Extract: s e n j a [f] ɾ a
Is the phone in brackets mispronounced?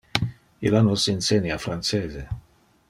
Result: no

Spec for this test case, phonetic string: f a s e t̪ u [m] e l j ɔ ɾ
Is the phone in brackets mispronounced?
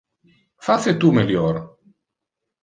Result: no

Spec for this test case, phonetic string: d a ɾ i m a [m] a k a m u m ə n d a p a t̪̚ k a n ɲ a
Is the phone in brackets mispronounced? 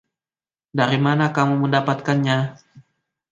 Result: yes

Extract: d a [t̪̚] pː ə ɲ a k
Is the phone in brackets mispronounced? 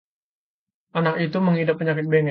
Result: yes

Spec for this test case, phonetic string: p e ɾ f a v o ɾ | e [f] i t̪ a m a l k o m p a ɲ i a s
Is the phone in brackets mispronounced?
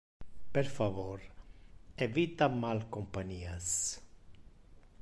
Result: yes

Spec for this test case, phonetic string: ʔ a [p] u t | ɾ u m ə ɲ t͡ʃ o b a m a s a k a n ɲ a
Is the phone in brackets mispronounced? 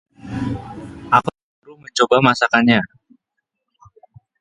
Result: yes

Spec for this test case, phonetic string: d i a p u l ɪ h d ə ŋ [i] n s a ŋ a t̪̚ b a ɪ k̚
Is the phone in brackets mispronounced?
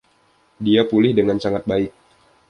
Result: yes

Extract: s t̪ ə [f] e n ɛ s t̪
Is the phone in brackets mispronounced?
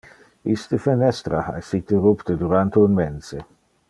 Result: no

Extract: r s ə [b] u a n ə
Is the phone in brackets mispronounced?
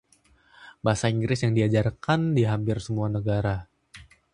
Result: yes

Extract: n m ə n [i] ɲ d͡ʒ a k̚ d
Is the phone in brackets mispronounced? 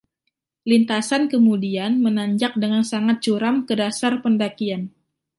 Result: yes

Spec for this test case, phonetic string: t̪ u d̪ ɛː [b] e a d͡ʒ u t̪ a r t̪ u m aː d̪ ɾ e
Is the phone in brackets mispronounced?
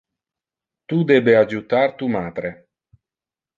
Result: no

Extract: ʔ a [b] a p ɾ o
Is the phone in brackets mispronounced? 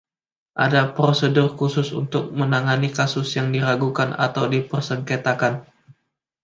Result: yes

